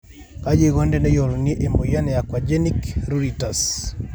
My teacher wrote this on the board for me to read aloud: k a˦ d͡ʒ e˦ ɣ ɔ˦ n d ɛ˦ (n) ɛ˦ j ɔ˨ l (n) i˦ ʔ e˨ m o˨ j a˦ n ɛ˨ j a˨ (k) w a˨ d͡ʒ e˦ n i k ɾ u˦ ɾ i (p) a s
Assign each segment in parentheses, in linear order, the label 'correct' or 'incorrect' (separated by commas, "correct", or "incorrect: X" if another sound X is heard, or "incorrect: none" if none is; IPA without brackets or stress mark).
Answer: correct, correct, correct, incorrect: t